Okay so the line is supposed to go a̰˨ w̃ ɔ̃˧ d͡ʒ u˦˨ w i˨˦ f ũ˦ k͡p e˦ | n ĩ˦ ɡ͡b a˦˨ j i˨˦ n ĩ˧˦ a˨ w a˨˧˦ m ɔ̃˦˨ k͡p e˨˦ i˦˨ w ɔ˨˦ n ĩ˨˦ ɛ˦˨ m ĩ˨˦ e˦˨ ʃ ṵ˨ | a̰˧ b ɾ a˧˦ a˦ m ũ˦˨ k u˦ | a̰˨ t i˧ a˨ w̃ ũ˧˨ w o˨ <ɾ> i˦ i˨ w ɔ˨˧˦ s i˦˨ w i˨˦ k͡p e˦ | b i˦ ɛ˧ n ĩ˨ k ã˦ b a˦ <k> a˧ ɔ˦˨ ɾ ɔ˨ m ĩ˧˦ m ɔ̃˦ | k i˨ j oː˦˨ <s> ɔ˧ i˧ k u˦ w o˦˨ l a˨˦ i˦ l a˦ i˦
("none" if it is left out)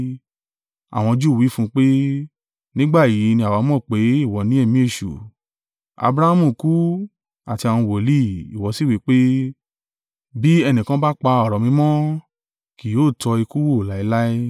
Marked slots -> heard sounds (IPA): l, k͡p, t

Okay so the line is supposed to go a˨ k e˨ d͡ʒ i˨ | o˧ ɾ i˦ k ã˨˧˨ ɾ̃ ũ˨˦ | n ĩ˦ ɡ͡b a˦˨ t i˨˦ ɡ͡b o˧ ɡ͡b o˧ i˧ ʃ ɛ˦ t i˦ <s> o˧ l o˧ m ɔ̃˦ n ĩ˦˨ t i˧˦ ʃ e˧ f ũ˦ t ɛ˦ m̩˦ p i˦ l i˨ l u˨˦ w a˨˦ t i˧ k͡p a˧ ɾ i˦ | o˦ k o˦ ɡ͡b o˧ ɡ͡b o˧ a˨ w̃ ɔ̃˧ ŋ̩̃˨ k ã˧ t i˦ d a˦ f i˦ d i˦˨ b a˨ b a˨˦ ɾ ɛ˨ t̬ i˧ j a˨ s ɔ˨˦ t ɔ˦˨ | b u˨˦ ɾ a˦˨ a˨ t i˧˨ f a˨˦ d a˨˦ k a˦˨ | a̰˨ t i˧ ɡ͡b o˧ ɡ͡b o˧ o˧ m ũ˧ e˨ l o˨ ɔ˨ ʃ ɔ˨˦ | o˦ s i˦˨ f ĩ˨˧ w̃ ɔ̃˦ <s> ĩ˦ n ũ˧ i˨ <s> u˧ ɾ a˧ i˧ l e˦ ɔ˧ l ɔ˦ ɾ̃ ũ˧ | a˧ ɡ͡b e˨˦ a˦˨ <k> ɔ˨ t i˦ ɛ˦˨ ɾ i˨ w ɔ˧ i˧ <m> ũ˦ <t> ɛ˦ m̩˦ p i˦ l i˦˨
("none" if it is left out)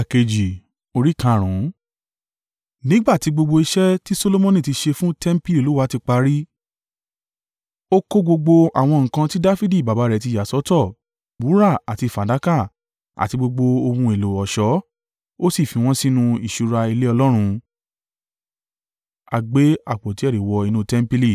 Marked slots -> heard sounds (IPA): s, s, ʃ, k͡p, n, t

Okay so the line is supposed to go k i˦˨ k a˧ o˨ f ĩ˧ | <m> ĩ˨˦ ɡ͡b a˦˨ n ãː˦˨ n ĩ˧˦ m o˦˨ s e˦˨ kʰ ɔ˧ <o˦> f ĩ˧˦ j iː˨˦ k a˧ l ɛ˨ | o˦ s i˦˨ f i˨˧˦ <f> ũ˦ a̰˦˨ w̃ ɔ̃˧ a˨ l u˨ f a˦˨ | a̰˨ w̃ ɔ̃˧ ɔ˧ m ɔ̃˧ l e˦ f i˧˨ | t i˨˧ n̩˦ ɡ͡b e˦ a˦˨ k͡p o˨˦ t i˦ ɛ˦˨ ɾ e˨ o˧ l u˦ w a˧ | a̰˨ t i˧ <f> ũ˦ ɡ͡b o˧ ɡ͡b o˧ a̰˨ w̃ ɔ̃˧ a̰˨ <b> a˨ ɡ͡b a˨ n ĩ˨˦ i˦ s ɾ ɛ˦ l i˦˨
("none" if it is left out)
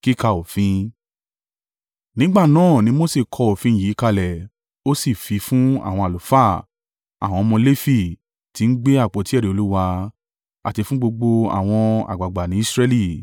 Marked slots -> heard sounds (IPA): n, o˨, f, f, ɡ͡b

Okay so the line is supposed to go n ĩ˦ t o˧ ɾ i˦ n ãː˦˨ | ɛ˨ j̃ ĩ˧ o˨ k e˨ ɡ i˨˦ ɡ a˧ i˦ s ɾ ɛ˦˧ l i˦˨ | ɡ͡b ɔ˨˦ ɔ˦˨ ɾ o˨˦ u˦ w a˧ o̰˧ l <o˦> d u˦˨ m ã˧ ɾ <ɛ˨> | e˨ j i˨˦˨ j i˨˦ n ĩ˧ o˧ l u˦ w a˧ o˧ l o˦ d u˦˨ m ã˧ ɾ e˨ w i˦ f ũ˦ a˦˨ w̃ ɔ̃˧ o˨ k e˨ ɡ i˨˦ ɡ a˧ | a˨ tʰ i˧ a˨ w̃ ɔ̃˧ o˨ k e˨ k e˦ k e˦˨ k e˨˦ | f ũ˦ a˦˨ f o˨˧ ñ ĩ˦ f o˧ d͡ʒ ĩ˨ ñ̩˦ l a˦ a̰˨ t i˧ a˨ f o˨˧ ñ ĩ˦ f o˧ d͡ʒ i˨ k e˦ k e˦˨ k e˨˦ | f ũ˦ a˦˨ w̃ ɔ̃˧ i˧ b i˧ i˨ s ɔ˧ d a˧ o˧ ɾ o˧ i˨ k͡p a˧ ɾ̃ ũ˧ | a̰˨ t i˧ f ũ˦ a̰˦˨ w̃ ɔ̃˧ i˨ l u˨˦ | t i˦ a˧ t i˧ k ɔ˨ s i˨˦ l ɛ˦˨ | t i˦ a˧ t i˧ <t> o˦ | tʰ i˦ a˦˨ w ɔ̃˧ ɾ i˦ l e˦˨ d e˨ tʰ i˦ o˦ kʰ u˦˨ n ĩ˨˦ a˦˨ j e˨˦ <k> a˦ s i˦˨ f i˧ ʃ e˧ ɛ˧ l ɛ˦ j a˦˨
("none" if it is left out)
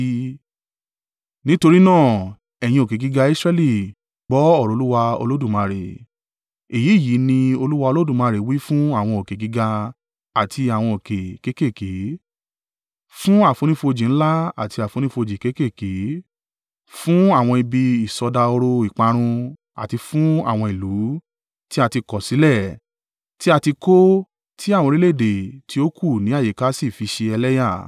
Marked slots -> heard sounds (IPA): o˦, e˨, k, k

